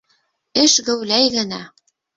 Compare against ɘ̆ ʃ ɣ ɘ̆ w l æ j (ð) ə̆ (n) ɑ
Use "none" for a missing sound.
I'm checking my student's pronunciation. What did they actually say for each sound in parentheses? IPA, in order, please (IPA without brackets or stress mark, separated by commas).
ɣ, n